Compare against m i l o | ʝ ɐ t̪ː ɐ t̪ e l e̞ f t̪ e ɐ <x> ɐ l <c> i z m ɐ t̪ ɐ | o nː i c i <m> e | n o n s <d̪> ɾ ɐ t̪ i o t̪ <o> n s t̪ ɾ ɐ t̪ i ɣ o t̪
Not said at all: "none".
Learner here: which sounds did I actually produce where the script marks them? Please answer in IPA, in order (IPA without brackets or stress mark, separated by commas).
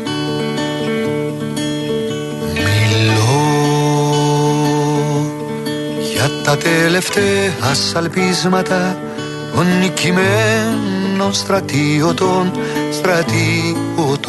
s, p, m, t̪, o